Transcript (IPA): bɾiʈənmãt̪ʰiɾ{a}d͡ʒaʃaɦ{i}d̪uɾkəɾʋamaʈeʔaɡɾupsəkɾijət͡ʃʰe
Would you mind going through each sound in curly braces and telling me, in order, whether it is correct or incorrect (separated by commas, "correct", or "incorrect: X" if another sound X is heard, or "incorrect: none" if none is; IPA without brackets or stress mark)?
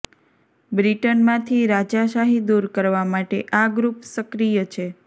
correct, correct